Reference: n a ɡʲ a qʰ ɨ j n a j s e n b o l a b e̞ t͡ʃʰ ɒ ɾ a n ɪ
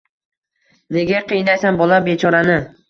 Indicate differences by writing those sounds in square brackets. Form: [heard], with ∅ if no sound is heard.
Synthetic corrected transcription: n [e] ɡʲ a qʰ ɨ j n a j s [a] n b [ɒ] l a b e̞ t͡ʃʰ ɒ ɾ a n ɪ